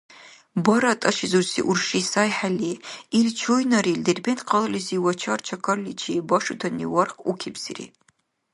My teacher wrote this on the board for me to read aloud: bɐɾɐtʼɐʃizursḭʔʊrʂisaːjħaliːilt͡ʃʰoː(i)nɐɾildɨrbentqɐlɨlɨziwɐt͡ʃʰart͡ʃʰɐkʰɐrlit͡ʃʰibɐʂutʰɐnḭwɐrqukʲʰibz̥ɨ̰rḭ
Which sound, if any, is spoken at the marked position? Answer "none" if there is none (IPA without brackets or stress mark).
j